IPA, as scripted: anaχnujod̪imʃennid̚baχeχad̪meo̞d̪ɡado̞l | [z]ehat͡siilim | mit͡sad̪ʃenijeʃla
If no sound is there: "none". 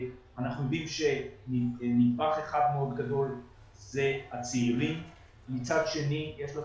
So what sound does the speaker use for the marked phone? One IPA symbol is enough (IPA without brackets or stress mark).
z